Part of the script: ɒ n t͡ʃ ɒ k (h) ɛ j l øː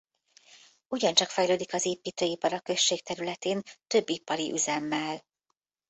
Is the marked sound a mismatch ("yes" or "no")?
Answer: yes